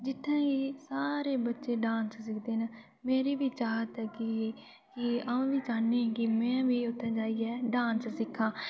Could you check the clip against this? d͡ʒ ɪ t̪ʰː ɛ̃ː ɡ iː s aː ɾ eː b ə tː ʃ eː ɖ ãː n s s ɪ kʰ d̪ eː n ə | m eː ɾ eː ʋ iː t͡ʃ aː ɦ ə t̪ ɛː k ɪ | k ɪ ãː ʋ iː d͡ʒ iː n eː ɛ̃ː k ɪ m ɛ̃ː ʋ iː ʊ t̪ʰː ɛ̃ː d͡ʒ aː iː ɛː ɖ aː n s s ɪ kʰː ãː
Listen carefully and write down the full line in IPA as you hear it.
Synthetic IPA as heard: d͡ʒ ɪ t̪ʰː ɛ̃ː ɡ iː s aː ɾ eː b ə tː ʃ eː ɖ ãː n s s ɪ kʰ d̪ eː n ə | m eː ɾ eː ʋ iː t͡ʃ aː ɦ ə t̪ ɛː k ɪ | k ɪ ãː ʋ iː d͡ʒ aː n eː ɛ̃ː k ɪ m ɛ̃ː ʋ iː ʊ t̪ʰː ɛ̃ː d͡ʒ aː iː ɛː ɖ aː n s s ɪ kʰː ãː